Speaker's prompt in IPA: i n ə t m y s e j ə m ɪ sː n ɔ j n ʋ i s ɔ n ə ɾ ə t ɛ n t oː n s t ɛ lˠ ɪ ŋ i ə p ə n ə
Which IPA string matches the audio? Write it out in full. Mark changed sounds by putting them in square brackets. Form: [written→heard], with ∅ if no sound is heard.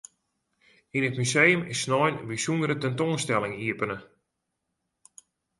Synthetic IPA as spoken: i n ə t m y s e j ə m ɪ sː n ɔ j n ʋ i s [ɔ→u] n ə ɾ ə t ɛ n t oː n s t ɛ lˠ ɪ ŋ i ə p ə n ə